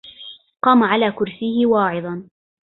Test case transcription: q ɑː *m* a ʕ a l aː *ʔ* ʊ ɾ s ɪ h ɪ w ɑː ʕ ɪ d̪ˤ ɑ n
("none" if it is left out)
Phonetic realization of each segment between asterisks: m, k

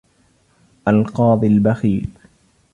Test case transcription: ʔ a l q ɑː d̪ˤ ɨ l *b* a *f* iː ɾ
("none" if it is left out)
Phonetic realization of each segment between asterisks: b, x

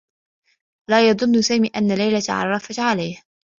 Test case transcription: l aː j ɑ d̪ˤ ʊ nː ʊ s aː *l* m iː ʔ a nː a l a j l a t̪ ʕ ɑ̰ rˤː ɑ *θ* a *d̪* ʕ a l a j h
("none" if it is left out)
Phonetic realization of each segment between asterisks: none, f, t̪

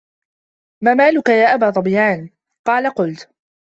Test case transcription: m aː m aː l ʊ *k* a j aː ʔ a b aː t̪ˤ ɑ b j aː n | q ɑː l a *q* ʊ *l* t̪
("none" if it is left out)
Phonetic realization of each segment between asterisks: k, q, l

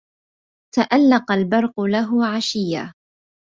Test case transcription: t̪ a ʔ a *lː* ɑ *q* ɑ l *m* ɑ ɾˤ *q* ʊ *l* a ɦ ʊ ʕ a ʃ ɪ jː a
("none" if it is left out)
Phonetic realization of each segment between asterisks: lː, q, b, q, l

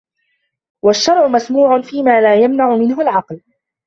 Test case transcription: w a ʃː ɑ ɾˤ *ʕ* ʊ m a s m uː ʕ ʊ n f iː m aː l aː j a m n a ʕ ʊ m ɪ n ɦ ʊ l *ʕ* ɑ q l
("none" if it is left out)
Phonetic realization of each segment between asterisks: ʕ, ʕ

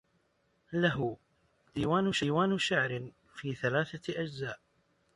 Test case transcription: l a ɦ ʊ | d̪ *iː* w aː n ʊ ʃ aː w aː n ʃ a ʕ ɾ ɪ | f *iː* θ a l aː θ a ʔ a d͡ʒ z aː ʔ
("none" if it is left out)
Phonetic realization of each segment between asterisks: iː, iː

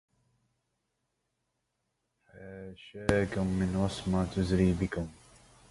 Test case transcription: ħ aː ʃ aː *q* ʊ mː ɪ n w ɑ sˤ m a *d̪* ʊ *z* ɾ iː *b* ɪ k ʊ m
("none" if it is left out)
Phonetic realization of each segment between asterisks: k, t̪, z, b

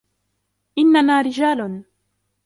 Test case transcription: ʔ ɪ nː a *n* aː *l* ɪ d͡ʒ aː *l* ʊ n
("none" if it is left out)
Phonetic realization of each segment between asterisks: n, ɾ, l

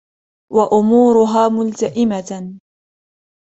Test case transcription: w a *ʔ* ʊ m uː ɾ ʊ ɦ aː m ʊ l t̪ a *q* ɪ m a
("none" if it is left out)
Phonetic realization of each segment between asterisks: ʔ, ʔ

